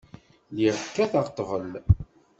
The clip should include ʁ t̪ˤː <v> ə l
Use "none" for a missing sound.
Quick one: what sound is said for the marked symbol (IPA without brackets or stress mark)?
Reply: v